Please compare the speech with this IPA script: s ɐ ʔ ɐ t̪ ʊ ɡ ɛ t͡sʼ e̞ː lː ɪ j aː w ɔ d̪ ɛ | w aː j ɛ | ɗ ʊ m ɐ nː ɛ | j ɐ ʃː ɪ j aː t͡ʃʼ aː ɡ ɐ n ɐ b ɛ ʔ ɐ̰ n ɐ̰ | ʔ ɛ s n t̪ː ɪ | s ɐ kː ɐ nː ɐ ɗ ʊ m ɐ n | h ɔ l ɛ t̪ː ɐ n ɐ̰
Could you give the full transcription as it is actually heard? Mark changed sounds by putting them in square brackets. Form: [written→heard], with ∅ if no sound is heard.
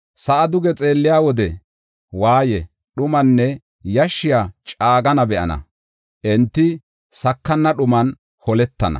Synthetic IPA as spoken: s ɐ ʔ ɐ [t̪→d̪] ʊ ɡ ɛ t͡sʼ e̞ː lː ɪ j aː w ɔ d̪ ɛ | w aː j ɛ | ɗ ʊ m ɐ nː ɛ | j ɐ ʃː ɪ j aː t͡ʃʼ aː ɡ ɐ n ɐ b ɛ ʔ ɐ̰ n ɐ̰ | ʔ ɛ [s→∅] n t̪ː ɪ | s ɐ kː ɐ nː ɐ ɗ ʊ m ɐ n | h ɔ l ɛ t̪ː ɐ n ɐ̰

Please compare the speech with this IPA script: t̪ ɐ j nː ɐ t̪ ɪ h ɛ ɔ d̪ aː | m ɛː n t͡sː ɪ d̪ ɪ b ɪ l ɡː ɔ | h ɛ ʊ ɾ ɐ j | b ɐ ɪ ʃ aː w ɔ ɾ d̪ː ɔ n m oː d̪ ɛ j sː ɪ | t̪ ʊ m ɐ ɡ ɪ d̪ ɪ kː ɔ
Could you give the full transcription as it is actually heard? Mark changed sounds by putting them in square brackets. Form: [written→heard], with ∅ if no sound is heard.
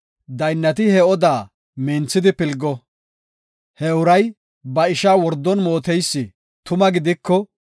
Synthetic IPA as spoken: [t̪→d̪] ɐ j nː ɐ t̪ ɪ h ɛ ɔ d̪ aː | m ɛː n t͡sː ɪ d̪ ɪ [b→p] ɪ l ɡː ɔ | h ɛ ʊ ɾ ɐ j | b ɐ ɪ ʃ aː w ɔ ɾ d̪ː ɔ n m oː [d̪→t̪] ɛ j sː ɪ | t̪ ʊ m ɐ ɡ ɪ d̪ ɪ kː ɔ

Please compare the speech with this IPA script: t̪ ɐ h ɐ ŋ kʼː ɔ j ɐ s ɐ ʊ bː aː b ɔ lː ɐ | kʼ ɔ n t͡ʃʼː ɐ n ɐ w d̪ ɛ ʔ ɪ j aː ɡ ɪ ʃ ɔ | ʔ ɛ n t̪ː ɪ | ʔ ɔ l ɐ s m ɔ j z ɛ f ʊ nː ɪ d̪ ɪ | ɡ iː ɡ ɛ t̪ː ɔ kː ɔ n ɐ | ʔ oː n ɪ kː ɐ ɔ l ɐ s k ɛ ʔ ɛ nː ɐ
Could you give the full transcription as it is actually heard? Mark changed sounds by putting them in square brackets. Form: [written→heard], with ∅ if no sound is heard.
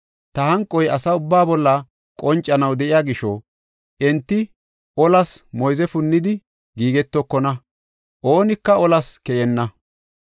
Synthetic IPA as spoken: t̪ ɐ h ɐ ŋ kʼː ɔ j ɐ s ɐ ʊ bː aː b ɔ lː ɐ | kʼ ɔ n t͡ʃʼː ɐ n ɐ w d̪ ɛ ʔ ɪ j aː ɡ ɪ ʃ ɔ | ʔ ɛ n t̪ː ɪ | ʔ ɔ l ɐ s m ɔ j z ɛ f ʊ nː ɪ d̪ ɪ | ɡ iː ɡ ɛ t̪ː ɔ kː ɔ n ɐ | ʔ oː n ɪ kː ɐ ɔ l ɐ s k ɛ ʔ ɛ nː ɐ

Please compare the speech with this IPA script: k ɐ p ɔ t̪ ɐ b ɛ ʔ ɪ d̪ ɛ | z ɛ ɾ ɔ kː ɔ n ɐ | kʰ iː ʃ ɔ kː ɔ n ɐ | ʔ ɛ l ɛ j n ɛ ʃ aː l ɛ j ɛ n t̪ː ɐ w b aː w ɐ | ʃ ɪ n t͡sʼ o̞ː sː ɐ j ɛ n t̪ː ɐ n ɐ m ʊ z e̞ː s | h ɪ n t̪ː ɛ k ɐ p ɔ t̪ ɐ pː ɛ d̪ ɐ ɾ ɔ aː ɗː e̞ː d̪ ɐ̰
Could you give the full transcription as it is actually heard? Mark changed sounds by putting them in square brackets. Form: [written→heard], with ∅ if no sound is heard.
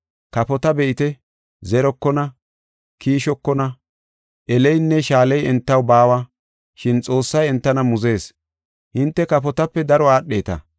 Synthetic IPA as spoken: k ɐ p ɔ t̪ ɐ b ɛ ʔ ɪ [d̪→t̪] ɛ | z ɛ ɾ ɔ kː ɔ n ɐ | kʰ iː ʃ ɔ kː ɔ n ɐ | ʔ ɛ l ɛ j [n→nː] ɛ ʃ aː l ɛ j ɛ n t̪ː ɐ w b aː w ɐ | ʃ ɪ n t͡sʼ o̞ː sː ɐ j ɛ n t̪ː ɐ n ɐ m ʊ z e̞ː s | h ɪ n t̪ː ɛ k ɐ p ɔ t̪ ɐ pː ɛ d̪ ɐ ɾ ɔ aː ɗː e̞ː [d̪→t̪] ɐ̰

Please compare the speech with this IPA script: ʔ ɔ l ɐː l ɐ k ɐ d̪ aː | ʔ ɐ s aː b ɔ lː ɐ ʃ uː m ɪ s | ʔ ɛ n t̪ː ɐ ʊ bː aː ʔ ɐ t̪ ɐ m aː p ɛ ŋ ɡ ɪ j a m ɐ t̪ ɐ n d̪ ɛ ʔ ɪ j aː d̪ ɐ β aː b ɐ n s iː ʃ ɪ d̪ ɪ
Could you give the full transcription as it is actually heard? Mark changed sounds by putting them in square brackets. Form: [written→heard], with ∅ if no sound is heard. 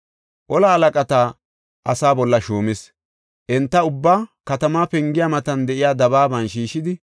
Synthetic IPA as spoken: ʔ ɔ l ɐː l ɐ [k→kʼ] ɐ [d̪→t̪] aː | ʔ ɐ s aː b ɔ lː ɐ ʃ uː m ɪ s | ʔ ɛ n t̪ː ɐ ʊ bː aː [ʔ→k] ɐ t̪ ɐ m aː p ɛ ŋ ɡ ɪ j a m ɐ t̪ ɐ n d̪ ɛ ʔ ɪ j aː d̪ ɐ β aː b ɐ n [s→ʃ] iː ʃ ɪ d̪ ɪ

